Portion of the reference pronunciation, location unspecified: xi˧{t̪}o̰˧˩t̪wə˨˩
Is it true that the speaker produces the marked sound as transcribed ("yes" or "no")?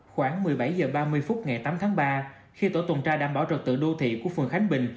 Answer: yes